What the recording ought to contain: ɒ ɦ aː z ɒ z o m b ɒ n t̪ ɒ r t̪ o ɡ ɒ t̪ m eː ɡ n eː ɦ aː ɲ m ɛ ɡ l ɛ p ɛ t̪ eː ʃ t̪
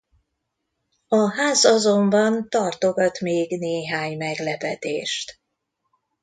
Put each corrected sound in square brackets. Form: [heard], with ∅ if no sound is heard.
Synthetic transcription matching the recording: ɒ ɦ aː z ɒ z o m b ɒ n t̪ ɒ r t̪ o ɡ ɒ t̪ m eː ɡ n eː ɦ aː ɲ m ɛ ɡ l ɛ p ɛ t̪ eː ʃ t̪